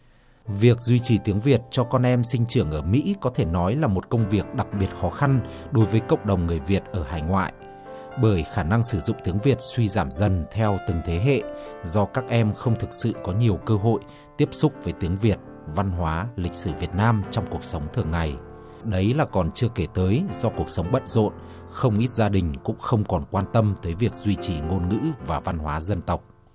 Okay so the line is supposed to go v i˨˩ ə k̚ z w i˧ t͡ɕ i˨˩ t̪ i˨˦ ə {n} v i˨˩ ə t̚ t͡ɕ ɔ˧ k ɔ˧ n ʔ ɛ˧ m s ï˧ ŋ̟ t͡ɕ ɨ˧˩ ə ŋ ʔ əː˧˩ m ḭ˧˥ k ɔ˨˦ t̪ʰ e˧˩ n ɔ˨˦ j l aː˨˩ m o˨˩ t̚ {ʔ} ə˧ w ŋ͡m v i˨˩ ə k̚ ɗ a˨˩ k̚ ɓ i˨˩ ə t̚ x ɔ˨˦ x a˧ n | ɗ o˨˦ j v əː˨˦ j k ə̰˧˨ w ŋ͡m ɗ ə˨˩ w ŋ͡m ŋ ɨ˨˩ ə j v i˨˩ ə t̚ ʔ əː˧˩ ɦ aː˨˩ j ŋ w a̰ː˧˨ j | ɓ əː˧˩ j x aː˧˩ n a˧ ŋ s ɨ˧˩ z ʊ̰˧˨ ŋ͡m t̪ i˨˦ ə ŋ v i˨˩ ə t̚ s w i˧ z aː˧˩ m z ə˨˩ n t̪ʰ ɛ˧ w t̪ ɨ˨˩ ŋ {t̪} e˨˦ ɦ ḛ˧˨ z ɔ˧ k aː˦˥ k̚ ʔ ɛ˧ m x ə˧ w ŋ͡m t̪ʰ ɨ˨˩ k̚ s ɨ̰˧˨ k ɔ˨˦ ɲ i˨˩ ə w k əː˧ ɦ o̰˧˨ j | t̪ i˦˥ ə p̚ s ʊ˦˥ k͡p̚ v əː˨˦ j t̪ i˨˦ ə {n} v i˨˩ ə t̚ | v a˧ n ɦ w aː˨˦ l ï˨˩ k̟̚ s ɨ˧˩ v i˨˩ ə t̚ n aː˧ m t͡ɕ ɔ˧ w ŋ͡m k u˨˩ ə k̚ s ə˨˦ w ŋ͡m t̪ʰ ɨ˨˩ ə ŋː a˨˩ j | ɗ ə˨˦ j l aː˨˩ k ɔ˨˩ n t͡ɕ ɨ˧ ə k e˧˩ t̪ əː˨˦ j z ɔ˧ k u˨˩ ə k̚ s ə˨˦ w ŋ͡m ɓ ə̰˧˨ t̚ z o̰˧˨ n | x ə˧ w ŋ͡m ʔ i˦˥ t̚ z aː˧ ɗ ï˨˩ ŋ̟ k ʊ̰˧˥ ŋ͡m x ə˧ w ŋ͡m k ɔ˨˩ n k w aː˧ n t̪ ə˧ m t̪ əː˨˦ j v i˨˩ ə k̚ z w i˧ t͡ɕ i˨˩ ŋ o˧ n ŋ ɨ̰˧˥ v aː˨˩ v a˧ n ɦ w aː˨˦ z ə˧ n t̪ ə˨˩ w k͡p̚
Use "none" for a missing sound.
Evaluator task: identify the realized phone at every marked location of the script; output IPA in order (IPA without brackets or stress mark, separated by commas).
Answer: ŋ, k, t̪ʰ, ŋ